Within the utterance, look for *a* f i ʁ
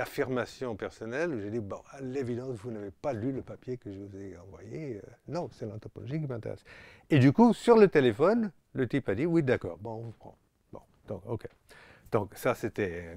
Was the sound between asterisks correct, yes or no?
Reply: yes